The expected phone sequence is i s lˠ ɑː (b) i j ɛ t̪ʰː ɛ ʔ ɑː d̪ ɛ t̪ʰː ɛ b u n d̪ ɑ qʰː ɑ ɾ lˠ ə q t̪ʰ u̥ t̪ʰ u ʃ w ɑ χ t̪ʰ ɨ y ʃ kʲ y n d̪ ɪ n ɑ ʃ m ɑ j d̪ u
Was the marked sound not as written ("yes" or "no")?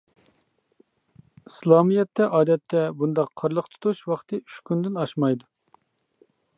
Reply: yes